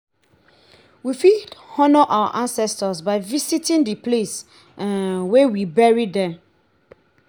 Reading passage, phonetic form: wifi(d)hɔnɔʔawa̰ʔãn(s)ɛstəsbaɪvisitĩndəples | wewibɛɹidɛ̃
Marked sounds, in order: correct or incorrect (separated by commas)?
correct, correct